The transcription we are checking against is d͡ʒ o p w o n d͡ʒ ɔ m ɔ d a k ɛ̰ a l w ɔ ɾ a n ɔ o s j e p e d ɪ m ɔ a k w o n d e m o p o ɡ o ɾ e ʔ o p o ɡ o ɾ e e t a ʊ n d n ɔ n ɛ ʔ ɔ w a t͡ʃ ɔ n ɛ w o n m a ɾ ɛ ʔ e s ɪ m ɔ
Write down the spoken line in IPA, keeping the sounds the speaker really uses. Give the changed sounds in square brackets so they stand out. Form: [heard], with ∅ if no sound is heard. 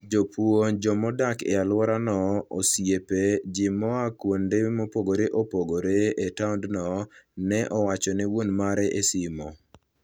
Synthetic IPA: d͡ʒ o p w o n d͡ʒ ɔ m ɔ d a k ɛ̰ a l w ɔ ɾ a n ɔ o s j e p e [d͡ʒ] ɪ m ɔ a k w o n d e m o p o ɡ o ɾ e ʔ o p o ɡ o ɾ e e t a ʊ n d n ɔ n ɛ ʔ ɔ w a t͡ʃ ɔ n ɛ w o n m a ɾ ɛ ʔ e s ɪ m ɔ

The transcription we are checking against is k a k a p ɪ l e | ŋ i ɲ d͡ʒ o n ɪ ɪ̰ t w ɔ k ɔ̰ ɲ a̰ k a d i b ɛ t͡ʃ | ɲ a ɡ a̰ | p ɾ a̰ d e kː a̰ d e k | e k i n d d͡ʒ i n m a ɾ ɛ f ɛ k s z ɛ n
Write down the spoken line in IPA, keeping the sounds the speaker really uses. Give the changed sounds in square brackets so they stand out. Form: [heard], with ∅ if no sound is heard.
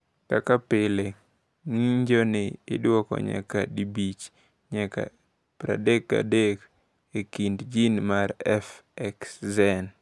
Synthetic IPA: k a k a p ɪ l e | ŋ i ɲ d͡ʒ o n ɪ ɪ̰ [d] w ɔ k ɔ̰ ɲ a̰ k a d i b [i] t͡ʃ | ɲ a [k] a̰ | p ɾ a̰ d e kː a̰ d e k | e k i n d d͡ʒ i n m a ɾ ɛ f ɛ k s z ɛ n

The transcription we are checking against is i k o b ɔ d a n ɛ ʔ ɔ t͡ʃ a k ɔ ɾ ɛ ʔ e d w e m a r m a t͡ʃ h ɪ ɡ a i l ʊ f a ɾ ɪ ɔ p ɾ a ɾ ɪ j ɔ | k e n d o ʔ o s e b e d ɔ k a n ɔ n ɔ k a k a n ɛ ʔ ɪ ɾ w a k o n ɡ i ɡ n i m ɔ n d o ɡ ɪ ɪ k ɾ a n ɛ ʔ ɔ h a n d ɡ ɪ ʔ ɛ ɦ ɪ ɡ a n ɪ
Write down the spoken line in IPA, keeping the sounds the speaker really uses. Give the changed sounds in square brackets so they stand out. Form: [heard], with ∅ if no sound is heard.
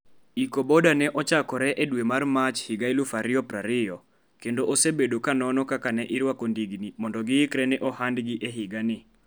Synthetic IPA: i k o b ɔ d a n ɛ ʔ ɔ t͡ʃ a k ɔ ɾ ɛ ʔ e d w e m a r m a t͡ʃ h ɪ ɡ a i l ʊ f a ɾ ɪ ɔ p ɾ a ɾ ɪ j ɔ | k e n d o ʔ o s e b e d [o] k a n ɔ n ɔ k a k a n ɛ ʔ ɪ ɾ w a k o n [d] i ɡ n i m ɔ n d [ɔ] ɡ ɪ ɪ k ɾ [ɛ] n ɛ ʔ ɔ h a n d ɡ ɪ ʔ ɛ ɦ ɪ ɡ a n ɪ

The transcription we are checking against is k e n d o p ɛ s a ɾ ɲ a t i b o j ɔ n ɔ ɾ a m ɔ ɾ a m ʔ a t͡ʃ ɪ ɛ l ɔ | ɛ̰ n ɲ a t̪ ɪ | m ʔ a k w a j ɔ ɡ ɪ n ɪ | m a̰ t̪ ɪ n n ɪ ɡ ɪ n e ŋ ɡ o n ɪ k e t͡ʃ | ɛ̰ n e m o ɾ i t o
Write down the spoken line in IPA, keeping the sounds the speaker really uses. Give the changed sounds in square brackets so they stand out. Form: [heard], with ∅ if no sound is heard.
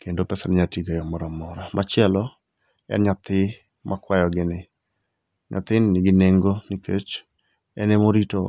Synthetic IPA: k e n d o p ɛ s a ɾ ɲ a t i [ɡ] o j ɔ [m] ɔ ɾ a m ɔ ɾ a m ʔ a t͡ʃ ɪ ɛ l ɔ | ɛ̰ n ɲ a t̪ ɪ | m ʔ a k w a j ɔ ɡ ɪ n ɪ | [ɲ] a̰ t̪ ɪ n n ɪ ɡ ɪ n e ŋ ɡ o n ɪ k e t͡ʃ | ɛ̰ n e m o ɾ i t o

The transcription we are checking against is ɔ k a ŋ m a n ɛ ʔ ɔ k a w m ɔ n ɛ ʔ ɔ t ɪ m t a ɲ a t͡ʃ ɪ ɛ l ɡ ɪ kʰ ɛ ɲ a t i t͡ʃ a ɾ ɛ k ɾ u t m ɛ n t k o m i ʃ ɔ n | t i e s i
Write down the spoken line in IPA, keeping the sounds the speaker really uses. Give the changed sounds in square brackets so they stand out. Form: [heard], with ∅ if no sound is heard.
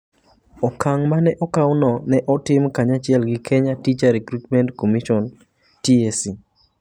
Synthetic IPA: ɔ k a ŋ m a n ɛ ʔ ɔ k a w [n] ɔ n ɛ ʔ ɔ t ɪ m [k] a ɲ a t͡ʃ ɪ ɛ l ɡ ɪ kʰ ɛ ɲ a t i t͡ʃ a ɾ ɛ k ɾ u t m ɛ n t k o m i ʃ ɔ n | t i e s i

